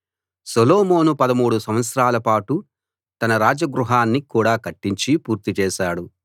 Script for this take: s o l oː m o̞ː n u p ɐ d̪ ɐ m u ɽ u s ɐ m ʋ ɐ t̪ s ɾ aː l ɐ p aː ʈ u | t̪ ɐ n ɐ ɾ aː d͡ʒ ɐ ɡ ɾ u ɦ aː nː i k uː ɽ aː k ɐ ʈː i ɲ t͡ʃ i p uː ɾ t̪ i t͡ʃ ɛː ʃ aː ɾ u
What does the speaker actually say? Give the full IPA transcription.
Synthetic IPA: s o l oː m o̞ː n u p ɐ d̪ ɐ m uː ɽ u s ɐ m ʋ ɐ t̪ s ɾ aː l ɐ p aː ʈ u | t̪ ɐ n ɐ ɾ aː d͡ʒ ɐ ɡ ɾ u ɦ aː nː i k uː ɽ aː k ɐ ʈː i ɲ t͡ʃ i p uː ɾ t̪ i t͡ʃ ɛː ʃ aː ɽ u